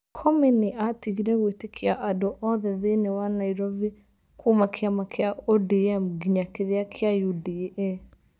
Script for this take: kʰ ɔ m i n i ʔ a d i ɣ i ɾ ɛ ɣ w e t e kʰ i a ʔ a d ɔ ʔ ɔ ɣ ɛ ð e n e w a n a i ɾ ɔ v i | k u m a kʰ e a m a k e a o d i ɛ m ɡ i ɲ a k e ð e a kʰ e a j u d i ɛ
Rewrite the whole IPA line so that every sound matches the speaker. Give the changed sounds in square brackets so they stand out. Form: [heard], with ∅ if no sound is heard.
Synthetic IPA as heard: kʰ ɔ m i n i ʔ a [t] i ɣ i ɾ ɛ ɣ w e t e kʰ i a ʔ a d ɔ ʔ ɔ [ð] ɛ ð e n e w a n a i ɾ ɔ v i | k u m a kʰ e a m a k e a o d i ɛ m ɡ i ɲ a k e ð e a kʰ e a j u d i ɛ